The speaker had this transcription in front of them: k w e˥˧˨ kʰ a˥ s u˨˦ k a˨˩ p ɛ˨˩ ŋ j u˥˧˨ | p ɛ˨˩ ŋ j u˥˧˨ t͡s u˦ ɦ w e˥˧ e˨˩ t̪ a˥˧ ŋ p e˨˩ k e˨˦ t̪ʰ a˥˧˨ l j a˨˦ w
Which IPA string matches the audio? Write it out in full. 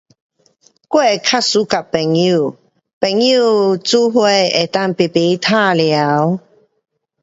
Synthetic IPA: k w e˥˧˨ kʰ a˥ s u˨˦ k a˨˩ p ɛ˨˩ ŋ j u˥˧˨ | p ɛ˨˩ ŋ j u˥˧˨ t͡s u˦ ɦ w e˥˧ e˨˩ t̪ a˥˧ ŋ p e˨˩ p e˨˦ t̪ʰ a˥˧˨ l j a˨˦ w